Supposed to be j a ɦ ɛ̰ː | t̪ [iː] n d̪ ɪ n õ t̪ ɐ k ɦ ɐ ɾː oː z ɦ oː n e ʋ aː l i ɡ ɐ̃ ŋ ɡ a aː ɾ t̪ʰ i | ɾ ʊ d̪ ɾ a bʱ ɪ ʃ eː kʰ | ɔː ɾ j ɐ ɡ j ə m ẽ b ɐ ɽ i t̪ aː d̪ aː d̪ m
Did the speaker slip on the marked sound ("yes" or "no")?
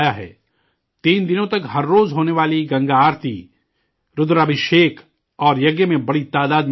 no